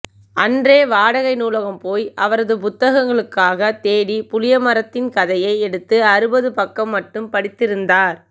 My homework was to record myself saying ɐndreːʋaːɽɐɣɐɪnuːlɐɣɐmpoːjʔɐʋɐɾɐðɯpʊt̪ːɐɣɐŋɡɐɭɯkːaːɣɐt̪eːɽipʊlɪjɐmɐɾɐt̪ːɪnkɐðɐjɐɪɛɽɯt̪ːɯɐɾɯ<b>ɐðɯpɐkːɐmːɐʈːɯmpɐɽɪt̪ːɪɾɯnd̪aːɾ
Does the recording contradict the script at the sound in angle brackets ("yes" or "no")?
no